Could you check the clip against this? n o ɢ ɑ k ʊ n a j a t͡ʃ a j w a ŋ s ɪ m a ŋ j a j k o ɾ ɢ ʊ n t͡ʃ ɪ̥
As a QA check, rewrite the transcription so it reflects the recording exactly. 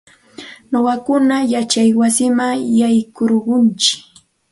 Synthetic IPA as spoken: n o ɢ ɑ k ʊ n a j a t͡ʃ a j w a s ɪ m a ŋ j a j k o ɾ ɢ ʊ n t͡ʃ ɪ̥